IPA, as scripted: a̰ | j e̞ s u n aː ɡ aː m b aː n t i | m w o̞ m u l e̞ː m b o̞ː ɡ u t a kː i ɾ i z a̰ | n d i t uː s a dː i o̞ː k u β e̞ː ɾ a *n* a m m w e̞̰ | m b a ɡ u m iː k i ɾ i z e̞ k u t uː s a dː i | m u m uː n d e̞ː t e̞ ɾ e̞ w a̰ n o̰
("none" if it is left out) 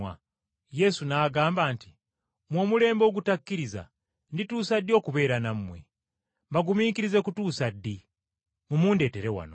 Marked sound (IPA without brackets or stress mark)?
n